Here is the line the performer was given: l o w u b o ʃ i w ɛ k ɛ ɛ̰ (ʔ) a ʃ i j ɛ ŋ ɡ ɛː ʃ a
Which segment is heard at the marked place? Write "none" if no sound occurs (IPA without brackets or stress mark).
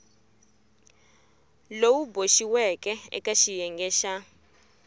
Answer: k